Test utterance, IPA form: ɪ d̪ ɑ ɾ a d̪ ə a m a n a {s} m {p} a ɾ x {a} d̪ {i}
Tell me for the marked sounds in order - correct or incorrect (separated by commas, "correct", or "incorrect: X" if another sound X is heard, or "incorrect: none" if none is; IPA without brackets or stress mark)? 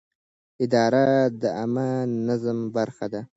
incorrect: z, incorrect: b, correct, incorrect: a